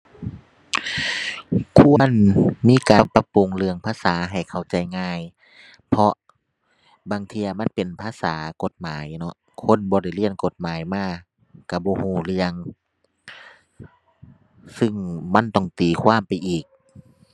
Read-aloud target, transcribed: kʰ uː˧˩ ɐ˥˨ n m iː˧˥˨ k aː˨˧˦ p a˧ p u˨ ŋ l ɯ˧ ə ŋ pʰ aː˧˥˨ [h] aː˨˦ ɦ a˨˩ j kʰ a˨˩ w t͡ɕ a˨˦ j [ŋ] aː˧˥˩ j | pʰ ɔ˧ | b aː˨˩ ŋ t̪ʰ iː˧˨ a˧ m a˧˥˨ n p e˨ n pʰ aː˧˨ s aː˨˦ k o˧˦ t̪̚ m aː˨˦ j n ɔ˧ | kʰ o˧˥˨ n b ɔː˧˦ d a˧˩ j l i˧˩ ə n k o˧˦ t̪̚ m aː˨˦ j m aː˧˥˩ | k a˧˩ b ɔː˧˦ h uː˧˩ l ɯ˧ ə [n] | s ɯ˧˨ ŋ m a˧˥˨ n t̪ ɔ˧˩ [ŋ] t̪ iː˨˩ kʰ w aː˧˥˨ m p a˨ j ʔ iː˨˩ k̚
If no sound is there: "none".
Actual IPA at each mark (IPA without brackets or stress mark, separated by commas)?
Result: s, ŋ, ŋ, ŋ